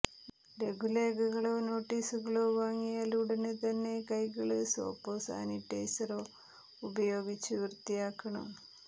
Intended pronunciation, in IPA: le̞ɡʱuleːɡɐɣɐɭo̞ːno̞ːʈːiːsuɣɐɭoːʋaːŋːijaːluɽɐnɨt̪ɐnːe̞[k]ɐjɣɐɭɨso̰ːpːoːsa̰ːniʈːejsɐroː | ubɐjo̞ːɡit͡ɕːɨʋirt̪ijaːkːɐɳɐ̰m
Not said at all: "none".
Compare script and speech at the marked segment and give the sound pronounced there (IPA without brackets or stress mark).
k